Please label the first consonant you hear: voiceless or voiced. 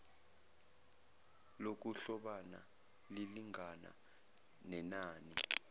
voiced